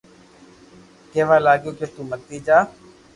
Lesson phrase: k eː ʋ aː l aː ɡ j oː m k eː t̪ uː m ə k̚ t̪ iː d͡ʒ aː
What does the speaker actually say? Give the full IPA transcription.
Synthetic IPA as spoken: k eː ʋ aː l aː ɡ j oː k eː t̪ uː m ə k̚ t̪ iː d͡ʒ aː